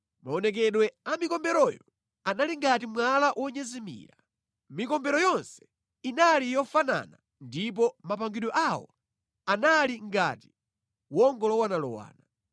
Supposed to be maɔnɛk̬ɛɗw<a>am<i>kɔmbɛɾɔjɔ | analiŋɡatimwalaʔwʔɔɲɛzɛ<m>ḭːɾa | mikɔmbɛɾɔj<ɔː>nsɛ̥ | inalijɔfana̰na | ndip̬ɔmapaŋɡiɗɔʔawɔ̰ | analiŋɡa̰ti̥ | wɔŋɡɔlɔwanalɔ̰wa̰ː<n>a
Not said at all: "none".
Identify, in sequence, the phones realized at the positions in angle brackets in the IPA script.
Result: ɛ, i, m, ɔ, n

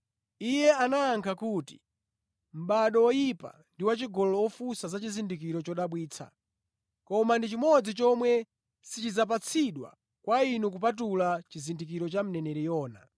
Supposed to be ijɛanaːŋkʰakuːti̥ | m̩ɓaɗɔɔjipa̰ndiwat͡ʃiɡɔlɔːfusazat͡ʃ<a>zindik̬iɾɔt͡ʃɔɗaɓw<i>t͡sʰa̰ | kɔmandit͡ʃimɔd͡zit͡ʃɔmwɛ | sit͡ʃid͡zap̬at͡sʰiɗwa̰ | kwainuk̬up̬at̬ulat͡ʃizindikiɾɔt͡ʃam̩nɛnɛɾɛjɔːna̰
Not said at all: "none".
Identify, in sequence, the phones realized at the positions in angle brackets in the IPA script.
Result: i, iː

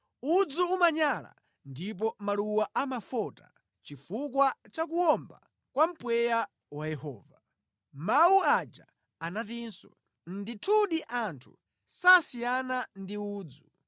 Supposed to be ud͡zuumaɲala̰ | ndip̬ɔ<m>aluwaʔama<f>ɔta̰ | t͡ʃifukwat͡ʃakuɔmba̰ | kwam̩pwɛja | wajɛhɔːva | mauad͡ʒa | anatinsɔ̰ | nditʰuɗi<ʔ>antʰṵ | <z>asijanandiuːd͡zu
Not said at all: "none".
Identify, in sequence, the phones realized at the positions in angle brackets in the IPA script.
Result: m, f, ʔ, s

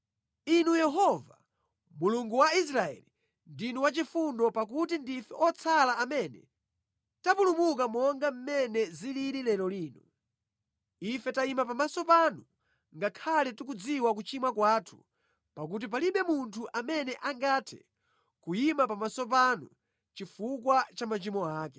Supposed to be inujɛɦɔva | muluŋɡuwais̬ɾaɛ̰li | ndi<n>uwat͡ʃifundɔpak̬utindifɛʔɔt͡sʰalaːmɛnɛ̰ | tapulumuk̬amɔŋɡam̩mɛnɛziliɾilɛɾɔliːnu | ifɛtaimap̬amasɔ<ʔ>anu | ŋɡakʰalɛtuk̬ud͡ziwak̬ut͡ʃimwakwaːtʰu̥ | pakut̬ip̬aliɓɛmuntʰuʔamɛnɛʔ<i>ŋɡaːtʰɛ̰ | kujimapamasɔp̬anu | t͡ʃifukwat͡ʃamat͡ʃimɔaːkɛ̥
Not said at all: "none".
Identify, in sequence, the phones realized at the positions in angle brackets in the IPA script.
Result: n, p, a

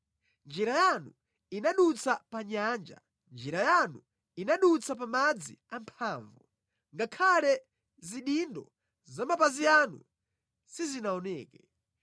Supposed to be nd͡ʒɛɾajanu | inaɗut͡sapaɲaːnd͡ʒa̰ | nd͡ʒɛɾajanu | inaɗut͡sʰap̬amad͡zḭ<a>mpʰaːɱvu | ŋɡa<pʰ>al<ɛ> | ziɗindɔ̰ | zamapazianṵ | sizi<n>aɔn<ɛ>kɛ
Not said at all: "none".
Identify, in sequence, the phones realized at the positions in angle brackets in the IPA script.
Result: a, kʰ, ɛ, n, ɛː

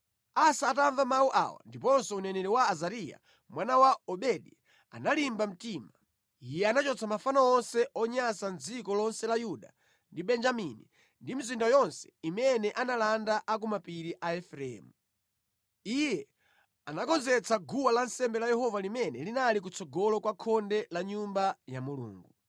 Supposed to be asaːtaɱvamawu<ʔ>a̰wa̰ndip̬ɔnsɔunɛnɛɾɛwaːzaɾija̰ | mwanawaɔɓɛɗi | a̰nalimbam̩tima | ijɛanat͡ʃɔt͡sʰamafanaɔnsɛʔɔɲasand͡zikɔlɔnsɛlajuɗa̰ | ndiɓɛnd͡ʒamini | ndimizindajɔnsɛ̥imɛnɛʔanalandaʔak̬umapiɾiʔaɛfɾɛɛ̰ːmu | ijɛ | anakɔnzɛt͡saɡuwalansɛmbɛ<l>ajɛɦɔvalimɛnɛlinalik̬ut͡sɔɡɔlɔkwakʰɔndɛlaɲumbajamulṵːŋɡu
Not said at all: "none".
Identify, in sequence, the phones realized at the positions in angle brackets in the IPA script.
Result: ʔ, l

